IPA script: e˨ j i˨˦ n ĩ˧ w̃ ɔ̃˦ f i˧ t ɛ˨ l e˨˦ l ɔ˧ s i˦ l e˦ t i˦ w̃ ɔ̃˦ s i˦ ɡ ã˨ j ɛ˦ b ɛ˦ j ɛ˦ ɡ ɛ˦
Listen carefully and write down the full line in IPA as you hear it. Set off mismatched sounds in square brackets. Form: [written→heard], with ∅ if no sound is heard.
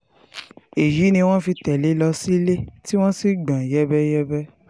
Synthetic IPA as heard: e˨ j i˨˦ n ĩ˧ w̃ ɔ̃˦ f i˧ t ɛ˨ l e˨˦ l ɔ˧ s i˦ l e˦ t i˦ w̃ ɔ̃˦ s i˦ [ɡ→ɡ͡b] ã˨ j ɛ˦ b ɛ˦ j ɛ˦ [ɡ→b] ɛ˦